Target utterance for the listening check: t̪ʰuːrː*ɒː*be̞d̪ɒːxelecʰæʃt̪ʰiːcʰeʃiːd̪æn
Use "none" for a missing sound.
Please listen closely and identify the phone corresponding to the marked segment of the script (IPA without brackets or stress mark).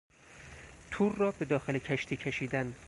ɒː